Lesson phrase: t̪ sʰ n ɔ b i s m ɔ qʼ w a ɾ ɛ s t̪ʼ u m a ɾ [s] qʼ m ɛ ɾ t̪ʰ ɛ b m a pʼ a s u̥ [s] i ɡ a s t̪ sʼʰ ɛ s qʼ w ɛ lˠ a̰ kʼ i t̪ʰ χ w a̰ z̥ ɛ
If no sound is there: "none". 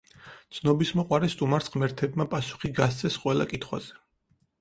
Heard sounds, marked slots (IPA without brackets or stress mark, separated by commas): s, χ